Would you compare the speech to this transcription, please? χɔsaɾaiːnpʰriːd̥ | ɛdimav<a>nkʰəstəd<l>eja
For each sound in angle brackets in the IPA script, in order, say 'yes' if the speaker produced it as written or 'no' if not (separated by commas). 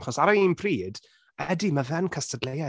no, yes